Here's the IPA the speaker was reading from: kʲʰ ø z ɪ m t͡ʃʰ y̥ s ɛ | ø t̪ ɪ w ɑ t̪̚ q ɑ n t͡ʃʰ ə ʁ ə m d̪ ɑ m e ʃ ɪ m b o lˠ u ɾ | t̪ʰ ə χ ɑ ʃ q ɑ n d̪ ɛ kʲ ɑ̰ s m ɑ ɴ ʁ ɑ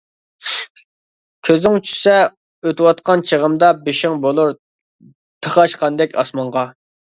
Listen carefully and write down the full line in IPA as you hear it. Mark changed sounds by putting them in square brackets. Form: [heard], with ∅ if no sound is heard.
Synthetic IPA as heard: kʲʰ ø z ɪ [ŋ] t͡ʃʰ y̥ s ɛ | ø t̪ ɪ w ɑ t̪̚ q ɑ n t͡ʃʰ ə ʁ ə m d̪ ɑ [b] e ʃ ɪ [ŋ] b o lˠ u ɾ | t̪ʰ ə χ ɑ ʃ q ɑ n d̪ ɛ kʲ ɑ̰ s m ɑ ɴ ʁ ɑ